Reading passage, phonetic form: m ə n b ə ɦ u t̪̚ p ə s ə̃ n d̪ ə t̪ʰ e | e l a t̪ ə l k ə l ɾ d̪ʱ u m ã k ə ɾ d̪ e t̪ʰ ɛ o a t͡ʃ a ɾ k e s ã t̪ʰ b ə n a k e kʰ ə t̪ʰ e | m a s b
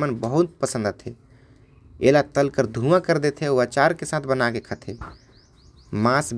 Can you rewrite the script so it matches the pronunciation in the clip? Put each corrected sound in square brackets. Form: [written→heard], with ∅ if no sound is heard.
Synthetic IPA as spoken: m ə n b ə ɦ u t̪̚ p ə s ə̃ n d̪ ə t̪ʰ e | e l a t̪ ə l k ə [l→∅] ɾ d̪ʱ u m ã k ə ɾ d̪ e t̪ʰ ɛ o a t͡ʃ a ɾ k e s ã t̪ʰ b ə n a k e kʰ ə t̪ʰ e | m a s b